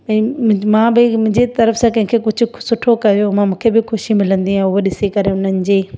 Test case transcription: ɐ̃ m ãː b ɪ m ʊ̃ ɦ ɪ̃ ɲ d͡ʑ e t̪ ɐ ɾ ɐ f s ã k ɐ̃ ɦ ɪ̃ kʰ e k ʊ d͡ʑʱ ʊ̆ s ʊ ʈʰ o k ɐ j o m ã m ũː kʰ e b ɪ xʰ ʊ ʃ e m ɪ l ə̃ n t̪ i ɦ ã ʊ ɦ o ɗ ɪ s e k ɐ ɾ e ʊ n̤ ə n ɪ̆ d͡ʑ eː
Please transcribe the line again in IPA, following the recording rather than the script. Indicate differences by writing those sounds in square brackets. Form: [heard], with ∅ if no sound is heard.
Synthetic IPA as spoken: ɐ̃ m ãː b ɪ m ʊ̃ ɦ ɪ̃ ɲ d͡ʑ e t̪ ɐ ɾ [ə] f s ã k ɐ̃ ɦ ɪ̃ kʰ e k ʊ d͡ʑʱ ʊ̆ s ʊ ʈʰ o k ɐ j o m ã m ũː kʰ e b ɪ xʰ ʊ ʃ [i] m ɪ l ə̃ n [d̪] i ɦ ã ʊ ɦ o ɗ ɪ s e k ɐ ɾ e ʊ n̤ ə n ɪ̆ d͡ʑ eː